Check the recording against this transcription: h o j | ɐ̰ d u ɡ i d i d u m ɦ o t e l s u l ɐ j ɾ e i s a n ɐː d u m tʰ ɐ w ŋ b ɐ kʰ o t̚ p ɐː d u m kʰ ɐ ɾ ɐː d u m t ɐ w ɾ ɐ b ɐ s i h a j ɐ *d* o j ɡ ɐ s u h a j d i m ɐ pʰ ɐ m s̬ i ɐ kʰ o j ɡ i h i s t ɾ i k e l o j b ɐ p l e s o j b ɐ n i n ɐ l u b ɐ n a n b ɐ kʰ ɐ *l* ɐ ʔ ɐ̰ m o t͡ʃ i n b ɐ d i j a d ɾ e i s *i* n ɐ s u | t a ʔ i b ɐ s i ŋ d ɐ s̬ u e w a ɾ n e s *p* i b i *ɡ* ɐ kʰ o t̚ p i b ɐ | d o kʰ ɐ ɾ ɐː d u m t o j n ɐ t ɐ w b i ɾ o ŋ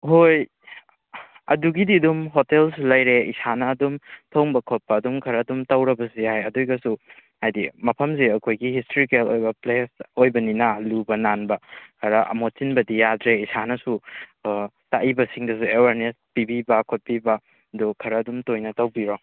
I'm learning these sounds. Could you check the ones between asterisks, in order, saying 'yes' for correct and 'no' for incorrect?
yes, no, no, yes, no

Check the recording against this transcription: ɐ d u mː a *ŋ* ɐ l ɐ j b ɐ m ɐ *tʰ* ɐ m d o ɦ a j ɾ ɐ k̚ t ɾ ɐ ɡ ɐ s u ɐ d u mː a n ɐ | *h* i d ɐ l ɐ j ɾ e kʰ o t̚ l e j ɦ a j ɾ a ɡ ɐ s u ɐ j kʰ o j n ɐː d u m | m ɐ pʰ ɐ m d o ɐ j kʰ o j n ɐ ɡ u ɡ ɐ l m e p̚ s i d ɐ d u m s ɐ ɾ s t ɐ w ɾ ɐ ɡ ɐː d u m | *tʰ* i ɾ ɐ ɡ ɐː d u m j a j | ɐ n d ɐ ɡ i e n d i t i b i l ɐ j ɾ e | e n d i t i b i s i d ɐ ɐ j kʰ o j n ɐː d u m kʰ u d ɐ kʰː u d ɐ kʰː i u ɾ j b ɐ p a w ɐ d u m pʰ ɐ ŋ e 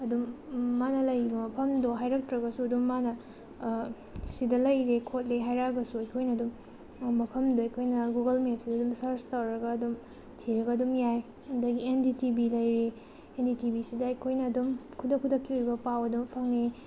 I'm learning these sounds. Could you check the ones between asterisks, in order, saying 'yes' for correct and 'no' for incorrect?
no, no, no, yes

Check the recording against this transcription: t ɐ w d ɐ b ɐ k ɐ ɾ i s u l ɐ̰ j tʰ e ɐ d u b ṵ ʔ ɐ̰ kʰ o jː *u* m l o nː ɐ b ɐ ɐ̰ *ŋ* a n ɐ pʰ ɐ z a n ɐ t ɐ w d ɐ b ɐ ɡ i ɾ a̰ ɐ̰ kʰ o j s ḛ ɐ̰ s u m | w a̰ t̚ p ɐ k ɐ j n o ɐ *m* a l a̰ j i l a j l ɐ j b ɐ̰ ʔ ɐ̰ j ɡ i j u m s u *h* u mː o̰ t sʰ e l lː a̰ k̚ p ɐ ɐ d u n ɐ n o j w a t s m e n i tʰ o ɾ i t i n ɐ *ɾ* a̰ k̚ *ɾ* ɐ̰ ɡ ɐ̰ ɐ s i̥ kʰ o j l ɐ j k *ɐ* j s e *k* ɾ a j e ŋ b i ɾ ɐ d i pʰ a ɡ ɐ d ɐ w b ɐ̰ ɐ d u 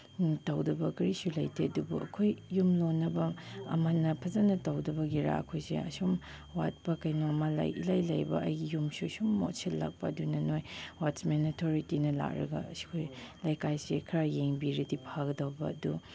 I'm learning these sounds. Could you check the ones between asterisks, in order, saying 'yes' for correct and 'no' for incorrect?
yes, no, yes, no, no, yes, no, no

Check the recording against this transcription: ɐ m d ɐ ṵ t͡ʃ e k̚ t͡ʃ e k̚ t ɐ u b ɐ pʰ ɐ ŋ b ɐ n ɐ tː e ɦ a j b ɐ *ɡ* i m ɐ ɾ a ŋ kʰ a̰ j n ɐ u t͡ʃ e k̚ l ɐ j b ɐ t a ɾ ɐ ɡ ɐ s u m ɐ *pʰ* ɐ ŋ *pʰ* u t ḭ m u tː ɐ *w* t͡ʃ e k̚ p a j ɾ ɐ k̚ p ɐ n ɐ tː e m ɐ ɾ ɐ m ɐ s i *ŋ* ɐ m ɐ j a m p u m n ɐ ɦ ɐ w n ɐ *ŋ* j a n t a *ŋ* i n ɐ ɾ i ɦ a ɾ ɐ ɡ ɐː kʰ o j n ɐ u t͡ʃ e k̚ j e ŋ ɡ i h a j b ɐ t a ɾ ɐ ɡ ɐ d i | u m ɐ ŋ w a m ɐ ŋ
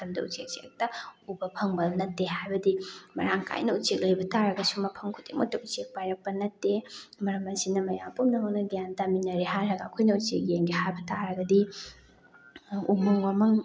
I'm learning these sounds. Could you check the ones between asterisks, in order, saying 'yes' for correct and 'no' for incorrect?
no, yes, no, no, no, no, no

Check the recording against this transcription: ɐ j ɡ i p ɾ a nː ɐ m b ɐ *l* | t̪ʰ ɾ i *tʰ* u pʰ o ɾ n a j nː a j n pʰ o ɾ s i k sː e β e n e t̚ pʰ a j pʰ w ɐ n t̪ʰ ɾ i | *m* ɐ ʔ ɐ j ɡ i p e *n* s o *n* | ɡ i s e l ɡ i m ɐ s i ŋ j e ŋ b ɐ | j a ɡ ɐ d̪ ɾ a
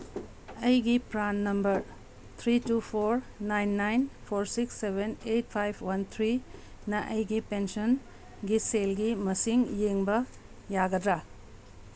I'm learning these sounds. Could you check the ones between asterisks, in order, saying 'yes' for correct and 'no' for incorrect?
no, no, no, yes, yes

